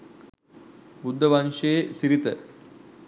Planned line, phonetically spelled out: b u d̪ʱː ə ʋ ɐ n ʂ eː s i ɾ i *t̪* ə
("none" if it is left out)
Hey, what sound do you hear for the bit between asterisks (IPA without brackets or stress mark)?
t̪